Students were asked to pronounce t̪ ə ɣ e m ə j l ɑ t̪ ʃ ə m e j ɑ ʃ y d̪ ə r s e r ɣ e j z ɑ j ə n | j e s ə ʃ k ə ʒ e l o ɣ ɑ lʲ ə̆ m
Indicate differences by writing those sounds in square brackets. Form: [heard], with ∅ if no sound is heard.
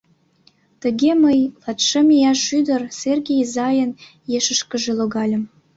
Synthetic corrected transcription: t̪ ə ɣ e m ə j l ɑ t̪ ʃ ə m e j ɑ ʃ y d̪ ə r s e r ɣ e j z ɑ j ə n | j e [ʃ] ə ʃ k ə ʒ e l o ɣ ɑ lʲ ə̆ m